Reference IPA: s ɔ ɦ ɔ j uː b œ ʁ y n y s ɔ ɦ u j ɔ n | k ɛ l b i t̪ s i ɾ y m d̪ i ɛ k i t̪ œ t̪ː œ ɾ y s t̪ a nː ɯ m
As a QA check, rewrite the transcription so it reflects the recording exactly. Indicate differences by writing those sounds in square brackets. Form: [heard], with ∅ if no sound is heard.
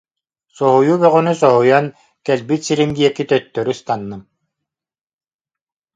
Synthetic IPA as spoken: s ɔ ɦ [u] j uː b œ ʁ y n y s ɔ ɦ u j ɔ n | k ɛ l b i t̪ s i ɾ [i] m d̪ i ɛ k i t̪ œ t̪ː œ ɾ y s t̪ a nː ɯ m